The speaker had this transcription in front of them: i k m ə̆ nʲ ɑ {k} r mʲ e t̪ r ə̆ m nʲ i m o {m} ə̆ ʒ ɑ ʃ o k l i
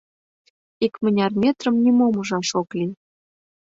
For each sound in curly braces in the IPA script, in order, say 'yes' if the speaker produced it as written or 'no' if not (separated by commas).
no, yes